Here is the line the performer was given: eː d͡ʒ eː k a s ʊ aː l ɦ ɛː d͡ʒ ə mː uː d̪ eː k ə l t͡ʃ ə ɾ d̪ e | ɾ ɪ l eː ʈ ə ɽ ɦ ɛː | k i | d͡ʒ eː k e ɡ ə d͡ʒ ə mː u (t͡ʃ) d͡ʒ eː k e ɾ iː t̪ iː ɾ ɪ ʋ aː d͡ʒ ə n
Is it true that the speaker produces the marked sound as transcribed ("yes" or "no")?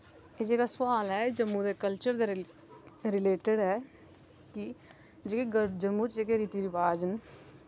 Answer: yes